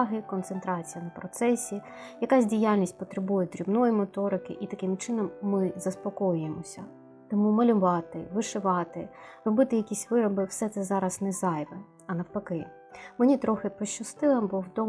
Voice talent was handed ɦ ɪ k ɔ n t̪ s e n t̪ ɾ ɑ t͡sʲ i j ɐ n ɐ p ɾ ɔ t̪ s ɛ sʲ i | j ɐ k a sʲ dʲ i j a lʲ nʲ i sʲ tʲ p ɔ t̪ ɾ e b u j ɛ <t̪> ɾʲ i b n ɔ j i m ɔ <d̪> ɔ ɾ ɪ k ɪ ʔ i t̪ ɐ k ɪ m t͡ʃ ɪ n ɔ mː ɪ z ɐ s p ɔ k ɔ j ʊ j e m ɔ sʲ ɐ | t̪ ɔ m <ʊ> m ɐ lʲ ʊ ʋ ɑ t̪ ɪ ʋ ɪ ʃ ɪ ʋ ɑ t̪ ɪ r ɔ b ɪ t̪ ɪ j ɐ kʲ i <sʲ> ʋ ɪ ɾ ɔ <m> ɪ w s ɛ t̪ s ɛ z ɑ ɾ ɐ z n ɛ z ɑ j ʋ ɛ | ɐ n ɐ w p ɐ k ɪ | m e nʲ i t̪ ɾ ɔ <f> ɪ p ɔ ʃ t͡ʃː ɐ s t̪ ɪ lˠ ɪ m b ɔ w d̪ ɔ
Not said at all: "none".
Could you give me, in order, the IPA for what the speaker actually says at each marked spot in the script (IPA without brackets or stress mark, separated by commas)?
d̪, t̪, u, sʲ, b, x